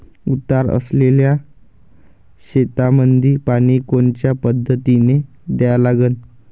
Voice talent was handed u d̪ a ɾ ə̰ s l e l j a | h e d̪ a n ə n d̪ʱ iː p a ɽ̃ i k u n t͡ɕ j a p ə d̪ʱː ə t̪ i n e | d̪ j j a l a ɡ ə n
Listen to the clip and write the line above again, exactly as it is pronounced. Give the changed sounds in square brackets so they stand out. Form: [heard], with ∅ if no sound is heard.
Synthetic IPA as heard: u [t̪] a ɾ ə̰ s l e l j a | [ɕ] e [t̪] a [m] ə n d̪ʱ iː p a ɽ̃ i k [o] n t͡ɕ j a p ə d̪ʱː ə t̪ i n e | d̪ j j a l a ɡ ə n

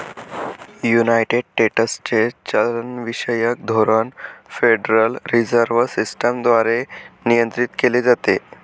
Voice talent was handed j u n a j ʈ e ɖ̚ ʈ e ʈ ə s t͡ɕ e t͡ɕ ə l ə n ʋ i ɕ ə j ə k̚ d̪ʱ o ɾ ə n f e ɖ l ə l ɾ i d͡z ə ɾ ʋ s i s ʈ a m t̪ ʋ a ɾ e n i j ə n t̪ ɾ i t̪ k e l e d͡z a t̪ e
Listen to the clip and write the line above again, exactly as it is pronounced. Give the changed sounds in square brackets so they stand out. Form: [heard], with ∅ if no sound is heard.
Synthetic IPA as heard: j u n a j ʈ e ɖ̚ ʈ e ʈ ə s t͡ɕ e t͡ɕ ə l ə n ʋ i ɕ ə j ə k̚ d̪ʱ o ɾ ə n f e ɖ [ɾ] ə l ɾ i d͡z ə ɾ ʋ s i s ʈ [ə] m [d̪] ʋ a ɾ e n i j ə n t̪ ɾ i t̪ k e l e d͡z a t̪ e

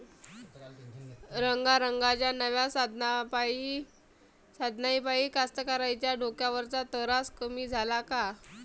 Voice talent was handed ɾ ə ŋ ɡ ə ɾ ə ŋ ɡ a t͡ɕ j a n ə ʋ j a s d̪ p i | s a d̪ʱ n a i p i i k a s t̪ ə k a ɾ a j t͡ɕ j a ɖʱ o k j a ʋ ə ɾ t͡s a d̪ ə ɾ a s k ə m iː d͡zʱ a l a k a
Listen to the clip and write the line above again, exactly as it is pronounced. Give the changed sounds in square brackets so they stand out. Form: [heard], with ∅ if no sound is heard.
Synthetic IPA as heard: ɾ ə ŋ ɡ [a] ɾ ə ŋ ɡ a t͡ɕ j a n ə ʋ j a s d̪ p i | s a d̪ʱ n a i p [a] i k a s t̪ ə k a ɾ a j t͡ɕ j a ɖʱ o k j a ʋ ə ɾ t͡s a [t̪] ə ɾ a s k ə m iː d͡zʱ a l a k a

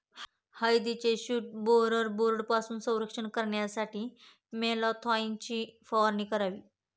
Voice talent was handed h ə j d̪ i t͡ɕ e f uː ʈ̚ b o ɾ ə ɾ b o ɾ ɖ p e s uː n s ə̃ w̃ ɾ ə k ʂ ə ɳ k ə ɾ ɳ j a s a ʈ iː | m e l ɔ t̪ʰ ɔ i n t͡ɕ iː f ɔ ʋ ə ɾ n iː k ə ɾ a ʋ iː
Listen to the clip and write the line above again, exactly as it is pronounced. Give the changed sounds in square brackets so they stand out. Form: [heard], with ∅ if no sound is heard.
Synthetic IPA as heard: h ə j d̪ i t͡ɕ e [ɕ] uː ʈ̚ b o ɾ ə ɾ b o ɾ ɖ p [a] s uː n s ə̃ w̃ ɾ ə k ʂ ə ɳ k ə ɾ ɳ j a s a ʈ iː | m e l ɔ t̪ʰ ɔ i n t͡ɕ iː f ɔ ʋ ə ɾ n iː k ə ɾ a ʋ iː

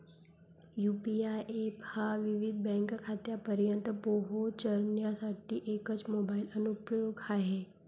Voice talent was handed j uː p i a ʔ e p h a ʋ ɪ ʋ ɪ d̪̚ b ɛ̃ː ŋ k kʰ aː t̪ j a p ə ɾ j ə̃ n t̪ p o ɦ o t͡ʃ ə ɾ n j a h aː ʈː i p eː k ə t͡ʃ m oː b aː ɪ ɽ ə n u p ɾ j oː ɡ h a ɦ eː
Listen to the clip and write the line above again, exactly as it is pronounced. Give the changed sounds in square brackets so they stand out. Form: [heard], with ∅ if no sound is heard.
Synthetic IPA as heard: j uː p i a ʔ e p h a ʋ ɪ ʋ ɪ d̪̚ b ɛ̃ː ŋ k kʰ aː t̪ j a p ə ɾ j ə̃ n t̪ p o ɦ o t͡ʃ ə ɾ n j a [s] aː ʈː i [ʔ] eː k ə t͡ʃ m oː b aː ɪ [l] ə n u p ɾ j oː ɡ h a ɦ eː

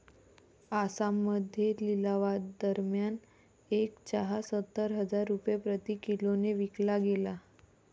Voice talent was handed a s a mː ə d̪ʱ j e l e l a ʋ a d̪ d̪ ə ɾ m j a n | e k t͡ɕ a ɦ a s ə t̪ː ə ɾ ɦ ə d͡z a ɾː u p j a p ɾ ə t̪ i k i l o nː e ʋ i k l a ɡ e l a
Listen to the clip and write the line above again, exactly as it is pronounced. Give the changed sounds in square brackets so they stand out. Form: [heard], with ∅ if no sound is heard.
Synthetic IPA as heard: a s a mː ə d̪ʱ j e l [i] l a ʋ a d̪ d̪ ə ɾ m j a n | e k t͡ɕ a ɦ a s ə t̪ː ə ɾ ɦ ə d͡z a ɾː u p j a p ɾ ə t̪ i k i l o [n] e ʋ i k l a ɡ e l a

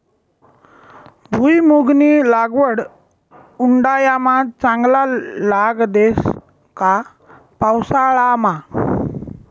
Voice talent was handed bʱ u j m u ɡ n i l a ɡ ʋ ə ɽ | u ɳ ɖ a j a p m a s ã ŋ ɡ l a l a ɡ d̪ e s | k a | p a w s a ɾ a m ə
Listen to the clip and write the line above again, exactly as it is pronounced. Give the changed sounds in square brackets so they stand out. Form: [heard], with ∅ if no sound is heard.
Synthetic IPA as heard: bʱ u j m u ɡ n i l a ɡ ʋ ə ɽ | u ɳ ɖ a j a [∅] m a [t͡s] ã ŋ ɡ l a l a ɡ d̪ e s | k a | p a w s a [ɭ] a m [a]

